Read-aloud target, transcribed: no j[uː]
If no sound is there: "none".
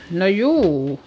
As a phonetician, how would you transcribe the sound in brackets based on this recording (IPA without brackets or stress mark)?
uː